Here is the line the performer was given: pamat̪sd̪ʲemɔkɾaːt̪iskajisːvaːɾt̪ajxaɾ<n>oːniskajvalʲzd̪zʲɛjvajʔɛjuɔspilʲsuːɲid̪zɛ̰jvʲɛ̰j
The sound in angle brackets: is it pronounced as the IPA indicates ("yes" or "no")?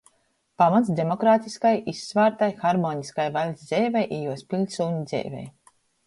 no